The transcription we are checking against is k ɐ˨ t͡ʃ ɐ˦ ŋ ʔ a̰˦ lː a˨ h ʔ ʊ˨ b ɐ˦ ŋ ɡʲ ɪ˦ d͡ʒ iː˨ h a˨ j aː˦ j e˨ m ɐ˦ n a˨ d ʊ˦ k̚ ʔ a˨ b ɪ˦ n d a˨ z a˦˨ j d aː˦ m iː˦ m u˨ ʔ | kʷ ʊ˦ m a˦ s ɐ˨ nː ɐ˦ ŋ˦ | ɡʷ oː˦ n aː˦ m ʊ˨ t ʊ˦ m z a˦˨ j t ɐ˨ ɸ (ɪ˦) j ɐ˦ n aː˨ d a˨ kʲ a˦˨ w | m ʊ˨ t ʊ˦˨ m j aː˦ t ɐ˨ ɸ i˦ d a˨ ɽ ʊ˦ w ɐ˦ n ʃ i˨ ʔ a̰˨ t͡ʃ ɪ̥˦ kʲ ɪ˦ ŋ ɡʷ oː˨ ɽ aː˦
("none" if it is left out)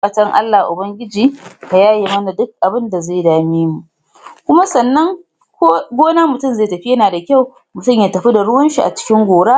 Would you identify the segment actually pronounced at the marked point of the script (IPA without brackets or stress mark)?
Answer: i˦